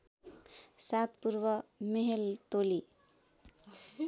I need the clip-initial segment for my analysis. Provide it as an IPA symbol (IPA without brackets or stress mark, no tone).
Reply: s